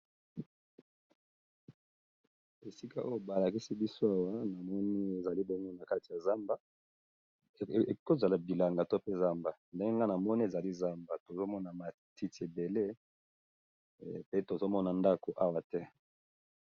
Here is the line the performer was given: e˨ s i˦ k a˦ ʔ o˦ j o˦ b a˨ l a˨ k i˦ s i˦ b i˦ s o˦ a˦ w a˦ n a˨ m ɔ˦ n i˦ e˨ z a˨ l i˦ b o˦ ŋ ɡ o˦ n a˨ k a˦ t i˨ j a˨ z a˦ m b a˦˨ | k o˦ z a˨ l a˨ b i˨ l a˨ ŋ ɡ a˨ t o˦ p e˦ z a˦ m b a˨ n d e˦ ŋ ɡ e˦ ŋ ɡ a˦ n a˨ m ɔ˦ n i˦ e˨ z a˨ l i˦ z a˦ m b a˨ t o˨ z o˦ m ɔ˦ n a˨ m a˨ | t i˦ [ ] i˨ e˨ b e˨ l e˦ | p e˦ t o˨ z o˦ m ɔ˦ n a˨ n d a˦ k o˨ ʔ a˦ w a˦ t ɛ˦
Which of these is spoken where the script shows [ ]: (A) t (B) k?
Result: A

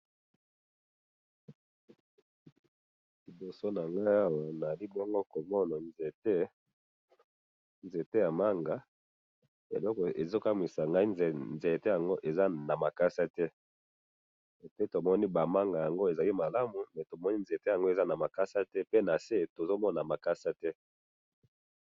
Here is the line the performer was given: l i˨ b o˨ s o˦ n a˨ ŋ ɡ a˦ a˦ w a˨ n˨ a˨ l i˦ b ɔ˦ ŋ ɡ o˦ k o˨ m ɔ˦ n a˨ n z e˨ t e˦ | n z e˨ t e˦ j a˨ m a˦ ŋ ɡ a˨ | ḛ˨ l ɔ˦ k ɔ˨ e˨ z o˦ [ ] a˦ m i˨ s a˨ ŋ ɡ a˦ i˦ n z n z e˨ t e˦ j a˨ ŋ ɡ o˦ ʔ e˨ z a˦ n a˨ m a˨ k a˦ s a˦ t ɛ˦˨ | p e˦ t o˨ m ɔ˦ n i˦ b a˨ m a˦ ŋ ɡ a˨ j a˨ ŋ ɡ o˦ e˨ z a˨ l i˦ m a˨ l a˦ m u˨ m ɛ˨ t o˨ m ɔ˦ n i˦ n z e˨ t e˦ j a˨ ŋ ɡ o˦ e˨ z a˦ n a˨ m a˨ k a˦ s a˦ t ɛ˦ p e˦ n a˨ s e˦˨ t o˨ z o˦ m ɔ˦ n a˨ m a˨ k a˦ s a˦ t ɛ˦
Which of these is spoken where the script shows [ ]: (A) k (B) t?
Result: A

